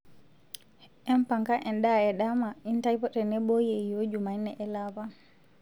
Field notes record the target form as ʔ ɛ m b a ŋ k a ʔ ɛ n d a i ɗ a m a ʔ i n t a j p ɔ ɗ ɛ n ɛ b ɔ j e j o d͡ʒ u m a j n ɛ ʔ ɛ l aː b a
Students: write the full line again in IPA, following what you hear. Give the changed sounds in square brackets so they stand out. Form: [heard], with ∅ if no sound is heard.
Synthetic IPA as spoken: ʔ ɛ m [p] a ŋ k a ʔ ɛ n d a [ɛ] ɗ a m a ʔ i n t a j p ɔ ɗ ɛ n ɛ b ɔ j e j o d͡ʒ u m a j n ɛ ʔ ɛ l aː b a

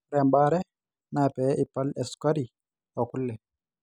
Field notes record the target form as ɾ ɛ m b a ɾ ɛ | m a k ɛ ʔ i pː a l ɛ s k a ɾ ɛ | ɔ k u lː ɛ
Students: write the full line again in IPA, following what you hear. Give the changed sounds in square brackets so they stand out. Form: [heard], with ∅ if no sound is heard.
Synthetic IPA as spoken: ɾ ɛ m b a ɾ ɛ | [n] a [p] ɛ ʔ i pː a l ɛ s k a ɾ [i] | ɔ k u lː ɛ

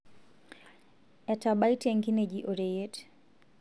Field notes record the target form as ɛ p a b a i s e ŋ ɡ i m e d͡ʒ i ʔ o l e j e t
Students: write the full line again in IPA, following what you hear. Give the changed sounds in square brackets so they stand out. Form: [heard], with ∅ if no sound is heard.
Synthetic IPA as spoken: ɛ [t] a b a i [t] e ŋ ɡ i [n] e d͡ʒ i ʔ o [ɾ] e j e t

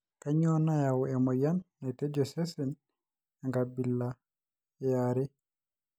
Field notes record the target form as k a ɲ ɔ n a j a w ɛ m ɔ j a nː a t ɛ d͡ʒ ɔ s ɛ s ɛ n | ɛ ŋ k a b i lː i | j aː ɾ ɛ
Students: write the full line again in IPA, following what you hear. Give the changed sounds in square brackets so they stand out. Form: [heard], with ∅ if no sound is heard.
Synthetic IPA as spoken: k a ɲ ɔ n a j a w ɛ m ɔ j a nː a t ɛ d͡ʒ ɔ s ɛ s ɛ n | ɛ ŋ [ɡ] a b i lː [a] | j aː ɾ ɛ

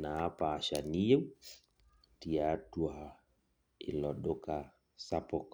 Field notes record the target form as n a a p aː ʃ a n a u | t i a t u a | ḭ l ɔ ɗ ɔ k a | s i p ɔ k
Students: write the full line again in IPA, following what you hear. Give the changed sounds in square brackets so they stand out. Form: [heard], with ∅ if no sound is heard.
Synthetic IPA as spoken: n a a p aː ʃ a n [i] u | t i a t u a | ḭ l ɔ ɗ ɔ k a | s [a] p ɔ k

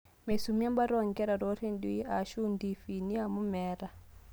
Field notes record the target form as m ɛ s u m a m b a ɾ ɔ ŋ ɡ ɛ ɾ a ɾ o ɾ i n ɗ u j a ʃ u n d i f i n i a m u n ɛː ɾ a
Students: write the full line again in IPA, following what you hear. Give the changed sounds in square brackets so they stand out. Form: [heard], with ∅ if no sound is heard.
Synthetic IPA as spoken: m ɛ s u m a m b a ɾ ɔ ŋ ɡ ɛ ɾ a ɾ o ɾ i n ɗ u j a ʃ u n d i f i n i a m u [m] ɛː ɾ a

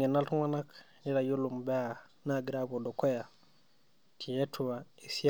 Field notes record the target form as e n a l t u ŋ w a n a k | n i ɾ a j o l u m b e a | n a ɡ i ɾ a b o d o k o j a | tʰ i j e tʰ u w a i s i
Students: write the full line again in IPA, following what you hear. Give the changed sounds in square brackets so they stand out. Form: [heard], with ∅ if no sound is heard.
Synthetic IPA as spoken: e n a l t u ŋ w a n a k | n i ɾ a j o l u m b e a | n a ɡ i ɾ a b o d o k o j a | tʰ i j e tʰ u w a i s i

